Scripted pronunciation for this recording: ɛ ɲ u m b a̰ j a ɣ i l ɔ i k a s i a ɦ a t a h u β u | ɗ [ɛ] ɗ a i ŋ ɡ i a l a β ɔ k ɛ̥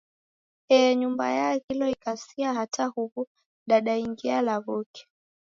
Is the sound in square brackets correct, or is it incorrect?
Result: incorrect